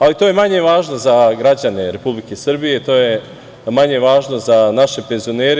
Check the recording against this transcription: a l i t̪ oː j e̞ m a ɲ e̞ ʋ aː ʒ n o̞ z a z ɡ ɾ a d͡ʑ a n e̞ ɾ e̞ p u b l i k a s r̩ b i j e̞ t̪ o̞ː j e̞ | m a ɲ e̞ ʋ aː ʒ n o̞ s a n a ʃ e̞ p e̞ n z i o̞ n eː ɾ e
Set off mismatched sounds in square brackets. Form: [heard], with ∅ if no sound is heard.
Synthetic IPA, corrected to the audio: a l i t̪ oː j e̞ m a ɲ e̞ ʋ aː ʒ n o̞ z a [∅] ɡ ɾ a d͡ʑ a n e̞ ɾ e̞ p u b l i k [e] s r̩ b i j e̞ t̪ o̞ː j e̞ | m a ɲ e̞ ʋ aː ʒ n o̞ [z] a n a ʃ e̞ p e̞ n z i o̞ n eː ɾ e